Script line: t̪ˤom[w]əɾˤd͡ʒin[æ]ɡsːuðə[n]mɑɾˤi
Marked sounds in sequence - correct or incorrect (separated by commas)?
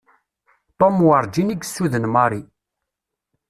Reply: correct, incorrect, correct